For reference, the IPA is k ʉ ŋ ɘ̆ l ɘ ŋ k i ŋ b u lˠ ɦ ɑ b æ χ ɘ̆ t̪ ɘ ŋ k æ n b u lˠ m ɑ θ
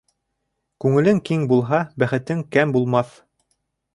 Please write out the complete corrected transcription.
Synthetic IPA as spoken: k ʉ ŋ ɘ̆ l ɘ ŋ k i ŋ b u lˠ ɦ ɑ b æ χ ɘ̆ t̪ ɘ ŋ k æ m b u lˠ m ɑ θ